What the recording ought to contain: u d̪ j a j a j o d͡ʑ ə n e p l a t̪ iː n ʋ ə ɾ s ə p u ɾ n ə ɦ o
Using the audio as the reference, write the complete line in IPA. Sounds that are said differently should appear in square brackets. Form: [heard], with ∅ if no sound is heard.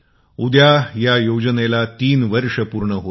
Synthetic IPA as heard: u d̪ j a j a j o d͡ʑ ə n e [∅] l a t̪ iː n ʋ ə ɾ [ʂ] ə p u ɾ [ɳ] ə ɦ o